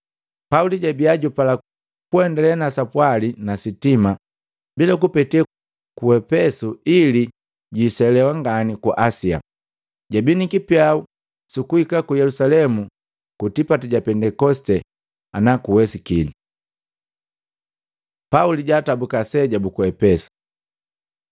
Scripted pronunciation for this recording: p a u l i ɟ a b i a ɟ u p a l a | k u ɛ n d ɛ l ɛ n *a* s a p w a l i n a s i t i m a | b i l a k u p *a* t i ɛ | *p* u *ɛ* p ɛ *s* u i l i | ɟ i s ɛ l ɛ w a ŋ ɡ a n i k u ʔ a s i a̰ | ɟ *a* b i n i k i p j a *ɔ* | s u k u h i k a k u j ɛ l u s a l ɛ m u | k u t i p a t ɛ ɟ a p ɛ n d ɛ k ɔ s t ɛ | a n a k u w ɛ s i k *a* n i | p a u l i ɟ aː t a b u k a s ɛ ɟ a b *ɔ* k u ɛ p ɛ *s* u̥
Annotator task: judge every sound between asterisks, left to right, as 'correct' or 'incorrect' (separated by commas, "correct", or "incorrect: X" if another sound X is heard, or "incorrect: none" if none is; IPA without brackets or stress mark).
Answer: correct, incorrect: ɛ, incorrect: k, correct, correct, correct, incorrect: u, incorrect: i, incorrect: u, correct